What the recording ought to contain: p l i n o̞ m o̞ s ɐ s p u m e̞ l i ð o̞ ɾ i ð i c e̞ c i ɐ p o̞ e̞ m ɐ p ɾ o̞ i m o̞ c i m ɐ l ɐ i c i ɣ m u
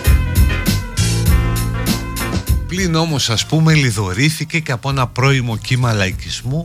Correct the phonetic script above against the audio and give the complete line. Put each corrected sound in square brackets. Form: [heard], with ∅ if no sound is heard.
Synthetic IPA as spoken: p l i n o̞ m o̞ s ɐ s p u m e̞ l i ð o̞ ɾ i [θ] i c e̞ c [e] ɐ p o̞ e̞ [n] ɐ p ɾ o̞ i m o̞ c i m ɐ l ɐ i c i [z] m u